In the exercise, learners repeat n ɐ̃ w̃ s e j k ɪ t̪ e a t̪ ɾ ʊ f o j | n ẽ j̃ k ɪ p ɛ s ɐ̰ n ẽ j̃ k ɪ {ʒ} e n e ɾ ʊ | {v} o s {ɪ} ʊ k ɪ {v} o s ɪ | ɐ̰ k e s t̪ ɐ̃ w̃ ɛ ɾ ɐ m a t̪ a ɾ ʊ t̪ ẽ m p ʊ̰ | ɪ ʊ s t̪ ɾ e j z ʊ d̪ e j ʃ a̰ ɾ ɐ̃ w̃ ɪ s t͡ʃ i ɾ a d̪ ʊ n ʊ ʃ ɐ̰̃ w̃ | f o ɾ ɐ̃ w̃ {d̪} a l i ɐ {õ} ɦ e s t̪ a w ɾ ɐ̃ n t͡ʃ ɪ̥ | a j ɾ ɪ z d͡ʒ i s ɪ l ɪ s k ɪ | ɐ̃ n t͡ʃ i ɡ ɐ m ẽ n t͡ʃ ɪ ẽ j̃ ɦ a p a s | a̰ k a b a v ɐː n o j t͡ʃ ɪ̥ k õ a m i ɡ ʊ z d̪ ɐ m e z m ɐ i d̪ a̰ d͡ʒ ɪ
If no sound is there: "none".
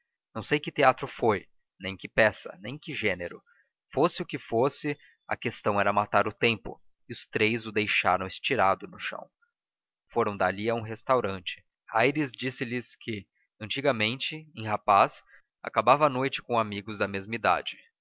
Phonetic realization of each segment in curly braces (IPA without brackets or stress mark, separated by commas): ʒ, f, ɪ, f, d̪, ũ